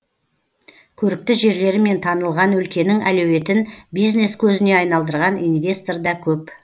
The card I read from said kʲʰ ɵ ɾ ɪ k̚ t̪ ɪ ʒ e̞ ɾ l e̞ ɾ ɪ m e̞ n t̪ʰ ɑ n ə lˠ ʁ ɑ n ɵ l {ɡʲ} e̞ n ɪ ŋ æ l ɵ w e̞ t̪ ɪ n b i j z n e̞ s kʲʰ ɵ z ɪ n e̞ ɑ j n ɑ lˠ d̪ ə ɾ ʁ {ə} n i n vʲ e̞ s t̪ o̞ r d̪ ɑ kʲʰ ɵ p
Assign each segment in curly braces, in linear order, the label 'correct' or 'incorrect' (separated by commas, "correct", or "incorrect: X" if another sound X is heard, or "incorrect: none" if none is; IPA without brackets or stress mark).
incorrect: kʲ, incorrect: ɑ